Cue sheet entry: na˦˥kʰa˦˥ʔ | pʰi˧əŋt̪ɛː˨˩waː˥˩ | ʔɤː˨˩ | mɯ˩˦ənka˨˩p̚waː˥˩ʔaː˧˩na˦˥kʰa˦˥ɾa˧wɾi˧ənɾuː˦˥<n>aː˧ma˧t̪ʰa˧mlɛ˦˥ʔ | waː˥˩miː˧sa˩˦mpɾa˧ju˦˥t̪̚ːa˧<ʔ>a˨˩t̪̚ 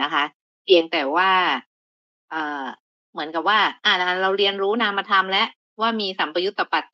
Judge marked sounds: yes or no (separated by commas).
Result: yes, no